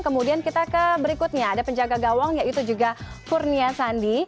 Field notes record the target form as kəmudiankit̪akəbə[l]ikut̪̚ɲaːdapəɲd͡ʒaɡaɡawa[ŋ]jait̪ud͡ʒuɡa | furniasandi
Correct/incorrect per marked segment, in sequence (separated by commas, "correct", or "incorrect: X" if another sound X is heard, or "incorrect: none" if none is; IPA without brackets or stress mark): incorrect: ɾ, correct